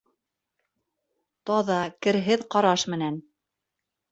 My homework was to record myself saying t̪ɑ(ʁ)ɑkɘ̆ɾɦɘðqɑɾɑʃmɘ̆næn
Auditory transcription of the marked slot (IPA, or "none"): ð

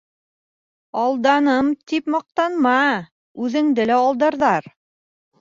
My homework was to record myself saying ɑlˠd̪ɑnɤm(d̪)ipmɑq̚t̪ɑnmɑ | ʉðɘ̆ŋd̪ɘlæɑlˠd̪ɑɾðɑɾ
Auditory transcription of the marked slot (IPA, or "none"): t̪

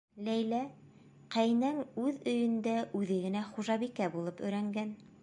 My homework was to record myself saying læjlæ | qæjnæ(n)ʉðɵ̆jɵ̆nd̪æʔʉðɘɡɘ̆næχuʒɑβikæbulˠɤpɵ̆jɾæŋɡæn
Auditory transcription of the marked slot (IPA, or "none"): ŋ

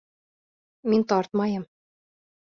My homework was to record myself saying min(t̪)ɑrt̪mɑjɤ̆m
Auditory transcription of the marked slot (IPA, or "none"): t̪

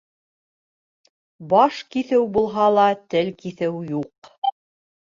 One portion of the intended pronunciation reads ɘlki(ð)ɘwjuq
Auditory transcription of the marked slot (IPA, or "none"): θ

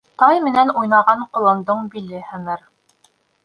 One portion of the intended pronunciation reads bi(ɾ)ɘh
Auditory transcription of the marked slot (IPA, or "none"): l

